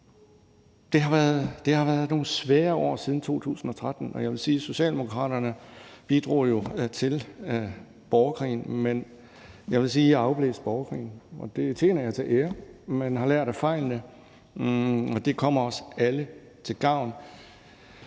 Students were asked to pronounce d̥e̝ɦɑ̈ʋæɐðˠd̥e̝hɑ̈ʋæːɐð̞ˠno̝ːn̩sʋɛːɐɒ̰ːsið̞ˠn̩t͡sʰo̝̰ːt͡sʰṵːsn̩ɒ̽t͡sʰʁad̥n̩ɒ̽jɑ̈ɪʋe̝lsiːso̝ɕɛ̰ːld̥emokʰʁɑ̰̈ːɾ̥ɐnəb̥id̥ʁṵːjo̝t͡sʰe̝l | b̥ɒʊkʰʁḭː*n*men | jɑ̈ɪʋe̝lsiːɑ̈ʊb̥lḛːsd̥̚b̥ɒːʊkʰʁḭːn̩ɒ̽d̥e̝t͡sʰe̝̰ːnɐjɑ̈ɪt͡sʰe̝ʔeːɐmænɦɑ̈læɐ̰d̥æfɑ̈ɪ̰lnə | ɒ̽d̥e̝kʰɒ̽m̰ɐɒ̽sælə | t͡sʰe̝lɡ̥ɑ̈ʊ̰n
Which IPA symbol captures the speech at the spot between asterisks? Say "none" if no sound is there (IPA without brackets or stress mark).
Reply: n